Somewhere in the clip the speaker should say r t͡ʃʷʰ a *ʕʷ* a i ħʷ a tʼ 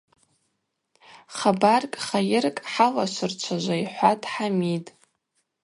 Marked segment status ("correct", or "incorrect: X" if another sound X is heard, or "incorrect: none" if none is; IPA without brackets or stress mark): incorrect: ʒʷ